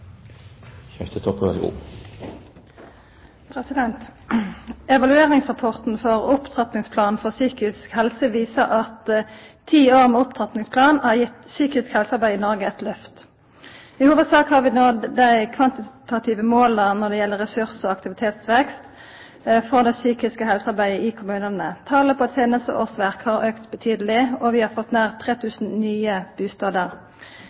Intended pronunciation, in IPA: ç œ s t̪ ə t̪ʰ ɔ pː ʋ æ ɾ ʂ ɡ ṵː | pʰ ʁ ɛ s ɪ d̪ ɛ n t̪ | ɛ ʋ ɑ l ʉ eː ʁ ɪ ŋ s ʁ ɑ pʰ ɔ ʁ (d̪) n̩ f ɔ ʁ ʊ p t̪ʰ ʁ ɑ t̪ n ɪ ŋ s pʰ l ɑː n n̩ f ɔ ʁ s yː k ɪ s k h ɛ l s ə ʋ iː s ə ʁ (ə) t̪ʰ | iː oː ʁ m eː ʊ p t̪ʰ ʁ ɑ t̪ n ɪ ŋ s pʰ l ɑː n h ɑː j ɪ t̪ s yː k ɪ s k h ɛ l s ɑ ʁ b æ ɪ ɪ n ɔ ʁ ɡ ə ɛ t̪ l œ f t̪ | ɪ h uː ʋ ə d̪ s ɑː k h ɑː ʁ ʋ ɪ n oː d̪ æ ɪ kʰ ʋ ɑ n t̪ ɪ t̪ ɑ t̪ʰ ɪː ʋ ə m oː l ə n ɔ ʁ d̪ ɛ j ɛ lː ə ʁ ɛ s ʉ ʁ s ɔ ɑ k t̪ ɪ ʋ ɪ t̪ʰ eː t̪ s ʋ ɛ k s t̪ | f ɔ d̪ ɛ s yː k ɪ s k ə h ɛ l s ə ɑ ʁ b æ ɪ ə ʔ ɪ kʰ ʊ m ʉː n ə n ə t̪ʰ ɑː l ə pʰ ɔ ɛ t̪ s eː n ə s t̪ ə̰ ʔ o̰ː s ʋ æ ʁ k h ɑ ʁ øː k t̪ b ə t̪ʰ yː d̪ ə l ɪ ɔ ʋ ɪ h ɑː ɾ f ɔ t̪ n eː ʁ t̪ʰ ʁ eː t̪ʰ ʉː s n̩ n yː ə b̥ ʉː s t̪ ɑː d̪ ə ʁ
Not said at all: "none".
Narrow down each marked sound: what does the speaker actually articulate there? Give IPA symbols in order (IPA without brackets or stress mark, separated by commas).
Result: t̪, ɑ